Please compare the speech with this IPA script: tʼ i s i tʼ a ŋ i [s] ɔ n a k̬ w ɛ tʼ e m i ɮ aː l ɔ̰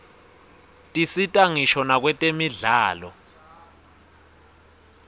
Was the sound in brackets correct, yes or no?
no